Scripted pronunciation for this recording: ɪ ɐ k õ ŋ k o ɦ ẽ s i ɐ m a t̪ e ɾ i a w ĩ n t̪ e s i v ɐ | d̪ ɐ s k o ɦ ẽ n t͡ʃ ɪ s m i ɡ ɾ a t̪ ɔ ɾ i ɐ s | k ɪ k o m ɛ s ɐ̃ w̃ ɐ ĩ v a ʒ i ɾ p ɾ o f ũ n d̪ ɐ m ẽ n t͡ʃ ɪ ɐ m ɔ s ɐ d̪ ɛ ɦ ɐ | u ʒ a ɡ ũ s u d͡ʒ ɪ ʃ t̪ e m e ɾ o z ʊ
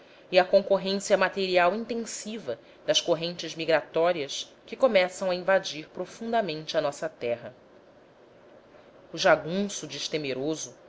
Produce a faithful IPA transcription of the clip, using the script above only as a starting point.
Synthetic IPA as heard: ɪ ɐ k õ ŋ k o ɦ ẽ s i ɐ m a t̪ e ɾ i a w ĩ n t̪ ẽ s i v ɐ | d̪ ɐ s k o ɦ ẽ n t͡ʃ ɪ z m i ɡ ɾ a t̪ ɔ ɾ i ɐ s | k ɪ k o m ɛ s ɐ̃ w̃ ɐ ĩ v a d͡ʒ i ɾ p ɾ o f ũ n d̪ ɐ m ẽ n t͡ʃ ɪ ɐ n ɔ s ɐ t̪ ɛ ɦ ɐ | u ʒ a ɡ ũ s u d͡ʒ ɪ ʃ t̪ e m e ɾ o z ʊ

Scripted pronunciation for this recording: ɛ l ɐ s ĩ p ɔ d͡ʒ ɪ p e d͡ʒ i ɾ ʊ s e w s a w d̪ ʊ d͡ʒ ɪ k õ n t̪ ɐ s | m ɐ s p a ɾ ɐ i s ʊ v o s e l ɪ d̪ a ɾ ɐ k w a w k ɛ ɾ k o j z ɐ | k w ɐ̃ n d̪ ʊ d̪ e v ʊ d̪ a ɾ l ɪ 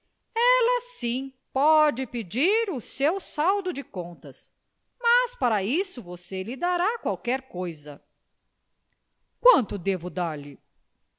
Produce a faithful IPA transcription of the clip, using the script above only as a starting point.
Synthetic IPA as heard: ɛ l ɐ s ĩ p ɔ d͡ʒ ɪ p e d͡ʒ i ɾ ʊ s e w s a w d̪ ʊ d͡ʒ ɪ k õ n t̪ ɐ s | m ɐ s p a ɾ ɐ i s ʊ v o s e l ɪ d̪ a ɾ a k w a w k ɛ ɾ k o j z ɐ | k w ɐ̃ n t̪ ʊ d̪ e v ʊ d̪ a ɾ l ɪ

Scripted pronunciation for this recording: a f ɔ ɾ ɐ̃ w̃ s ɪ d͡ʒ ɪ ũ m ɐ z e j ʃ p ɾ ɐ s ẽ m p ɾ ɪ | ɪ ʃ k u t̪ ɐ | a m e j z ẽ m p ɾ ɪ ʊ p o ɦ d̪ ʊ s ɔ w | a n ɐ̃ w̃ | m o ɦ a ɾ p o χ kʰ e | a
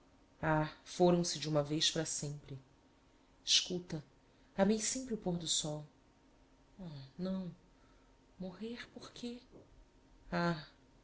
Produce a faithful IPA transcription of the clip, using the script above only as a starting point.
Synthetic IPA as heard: a f o ɾ ɐ̃ w̃ s ɪ d͡ʒ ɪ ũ m ɐ v e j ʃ p ɾ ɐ s ẽ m p ɾ ɪ | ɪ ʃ k u t̪ ɐ | a m e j s ẽ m p ɾ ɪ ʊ p o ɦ d̪ ʊ s ɔ w | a n ɐ̃ w̃ | m o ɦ e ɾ p o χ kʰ e | a

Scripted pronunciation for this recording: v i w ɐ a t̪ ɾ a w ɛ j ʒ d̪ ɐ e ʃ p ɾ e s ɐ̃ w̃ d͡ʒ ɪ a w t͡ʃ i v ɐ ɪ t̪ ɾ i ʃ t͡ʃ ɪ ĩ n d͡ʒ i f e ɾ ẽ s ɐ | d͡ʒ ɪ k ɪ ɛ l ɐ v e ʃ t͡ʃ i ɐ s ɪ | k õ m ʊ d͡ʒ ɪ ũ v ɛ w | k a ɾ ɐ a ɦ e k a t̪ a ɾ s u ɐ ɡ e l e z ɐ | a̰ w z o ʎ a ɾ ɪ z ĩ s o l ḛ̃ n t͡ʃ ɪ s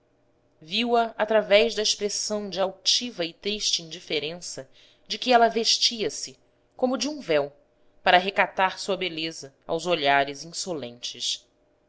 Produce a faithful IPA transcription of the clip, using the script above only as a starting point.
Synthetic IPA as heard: v i w ɐ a t̪ ɾ a v ɛ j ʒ d̪ ɐ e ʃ p ɾ e s ɐ̃ w̃ d͡ʒ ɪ a w t͡ʃ i v ɐ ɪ t̪ ɾ i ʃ t͡ʃ ɪ ĩ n d͡ʒ i f e ɾ ẽ s ɐ | d͡ʒ ɪ k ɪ ɛ l ɐ v e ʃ t͡ʃ i ɐ s ɪ | k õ m ʊ d͡ʒ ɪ ũ v ɛ w | p a ɾ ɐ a ɦ e k a t̪ a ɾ s u ɐ b e l e z ɐ | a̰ w z o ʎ a ɾ ɪ z ĩ s o l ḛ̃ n t͡ʃ ɪ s

